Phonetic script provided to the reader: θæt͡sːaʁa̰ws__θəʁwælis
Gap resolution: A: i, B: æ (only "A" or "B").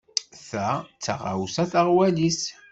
B